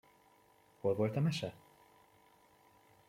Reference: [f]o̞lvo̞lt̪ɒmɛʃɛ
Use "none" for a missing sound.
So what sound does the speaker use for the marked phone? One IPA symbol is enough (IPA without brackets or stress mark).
h